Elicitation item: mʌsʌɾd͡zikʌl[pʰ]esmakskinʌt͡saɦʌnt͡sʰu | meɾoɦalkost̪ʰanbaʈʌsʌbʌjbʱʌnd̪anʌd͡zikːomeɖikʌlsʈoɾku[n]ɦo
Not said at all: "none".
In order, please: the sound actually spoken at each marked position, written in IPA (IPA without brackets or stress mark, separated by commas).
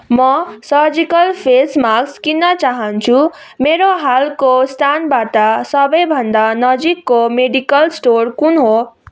pʰ, n